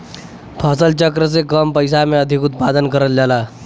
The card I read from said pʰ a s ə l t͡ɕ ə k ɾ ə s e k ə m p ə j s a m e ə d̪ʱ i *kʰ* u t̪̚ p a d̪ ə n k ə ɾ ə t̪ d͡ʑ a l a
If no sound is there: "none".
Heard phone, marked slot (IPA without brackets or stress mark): k